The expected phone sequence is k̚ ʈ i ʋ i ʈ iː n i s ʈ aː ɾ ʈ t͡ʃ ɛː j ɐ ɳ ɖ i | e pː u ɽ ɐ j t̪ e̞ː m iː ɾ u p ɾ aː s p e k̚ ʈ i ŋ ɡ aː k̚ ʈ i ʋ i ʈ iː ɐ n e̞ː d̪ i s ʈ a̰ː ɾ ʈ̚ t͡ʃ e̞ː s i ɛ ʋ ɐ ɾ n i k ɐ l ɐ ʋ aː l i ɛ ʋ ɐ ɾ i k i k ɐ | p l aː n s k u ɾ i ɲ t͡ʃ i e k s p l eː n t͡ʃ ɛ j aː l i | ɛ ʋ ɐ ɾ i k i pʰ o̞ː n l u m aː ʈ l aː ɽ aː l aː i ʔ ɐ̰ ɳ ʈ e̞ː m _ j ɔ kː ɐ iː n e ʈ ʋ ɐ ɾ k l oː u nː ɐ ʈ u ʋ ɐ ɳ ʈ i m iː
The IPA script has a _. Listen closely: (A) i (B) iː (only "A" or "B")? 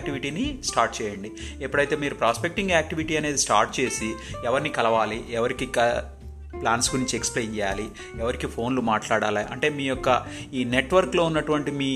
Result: B